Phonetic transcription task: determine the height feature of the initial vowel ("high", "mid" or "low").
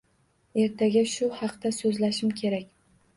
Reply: mid